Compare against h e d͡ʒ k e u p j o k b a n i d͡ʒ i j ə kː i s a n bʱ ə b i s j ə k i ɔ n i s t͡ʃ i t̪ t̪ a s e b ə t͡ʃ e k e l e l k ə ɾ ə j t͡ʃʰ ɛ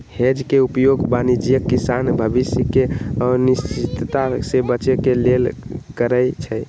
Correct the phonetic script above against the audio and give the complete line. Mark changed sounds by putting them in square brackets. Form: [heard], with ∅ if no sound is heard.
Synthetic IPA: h e d͡ʒ k e u p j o [ɡ] b a n i d͡ʒ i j ə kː i s a n bʱ ə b i s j ə k [e] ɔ n i s t͡ʃ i t̪ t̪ a s e b ə t͡ʃ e k e l e l k ə ɾ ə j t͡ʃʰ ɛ